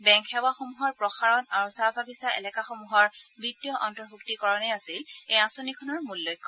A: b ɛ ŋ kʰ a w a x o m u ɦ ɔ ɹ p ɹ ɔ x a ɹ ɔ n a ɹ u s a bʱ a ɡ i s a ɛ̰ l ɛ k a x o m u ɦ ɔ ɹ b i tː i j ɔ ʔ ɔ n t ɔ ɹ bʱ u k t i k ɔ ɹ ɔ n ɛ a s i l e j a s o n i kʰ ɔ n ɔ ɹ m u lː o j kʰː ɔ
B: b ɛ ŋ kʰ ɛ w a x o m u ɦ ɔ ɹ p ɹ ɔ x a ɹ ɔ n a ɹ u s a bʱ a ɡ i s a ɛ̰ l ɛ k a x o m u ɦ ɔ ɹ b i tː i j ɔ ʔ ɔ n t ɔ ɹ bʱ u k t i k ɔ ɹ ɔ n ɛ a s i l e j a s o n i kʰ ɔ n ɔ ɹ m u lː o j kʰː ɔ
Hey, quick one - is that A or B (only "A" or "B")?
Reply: B